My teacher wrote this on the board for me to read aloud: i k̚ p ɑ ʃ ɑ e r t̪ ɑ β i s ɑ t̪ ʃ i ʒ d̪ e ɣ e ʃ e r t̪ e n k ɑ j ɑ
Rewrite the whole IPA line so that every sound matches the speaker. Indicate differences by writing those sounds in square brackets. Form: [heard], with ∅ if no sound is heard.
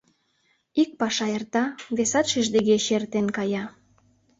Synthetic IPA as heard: i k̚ p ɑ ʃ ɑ e r t̪ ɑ β [e] s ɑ t̪ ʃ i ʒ d̪ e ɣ e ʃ e r t̪ e n k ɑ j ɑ